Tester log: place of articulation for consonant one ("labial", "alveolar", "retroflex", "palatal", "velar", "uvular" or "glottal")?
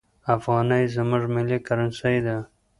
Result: labial